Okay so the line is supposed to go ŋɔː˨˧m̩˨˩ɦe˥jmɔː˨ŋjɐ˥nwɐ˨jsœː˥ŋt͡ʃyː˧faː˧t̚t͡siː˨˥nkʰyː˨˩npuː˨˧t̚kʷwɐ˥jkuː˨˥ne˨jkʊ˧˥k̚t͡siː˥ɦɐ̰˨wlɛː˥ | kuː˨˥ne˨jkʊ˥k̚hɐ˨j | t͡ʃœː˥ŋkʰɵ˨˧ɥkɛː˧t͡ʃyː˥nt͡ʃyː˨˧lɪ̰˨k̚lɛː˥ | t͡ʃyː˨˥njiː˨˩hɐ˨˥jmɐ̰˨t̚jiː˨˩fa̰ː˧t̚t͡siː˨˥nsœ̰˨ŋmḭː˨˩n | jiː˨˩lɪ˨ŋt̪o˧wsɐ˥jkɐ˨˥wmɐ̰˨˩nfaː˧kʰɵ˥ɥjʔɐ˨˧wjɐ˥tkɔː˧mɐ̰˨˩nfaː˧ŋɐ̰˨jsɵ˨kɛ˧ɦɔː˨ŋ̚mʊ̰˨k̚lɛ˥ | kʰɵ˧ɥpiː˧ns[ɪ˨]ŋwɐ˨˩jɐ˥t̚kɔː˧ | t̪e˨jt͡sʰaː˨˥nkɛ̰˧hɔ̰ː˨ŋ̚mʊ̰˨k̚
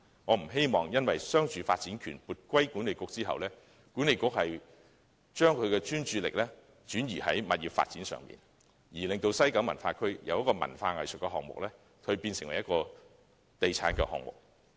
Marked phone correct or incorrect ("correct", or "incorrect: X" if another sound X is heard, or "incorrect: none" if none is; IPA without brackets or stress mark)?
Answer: correct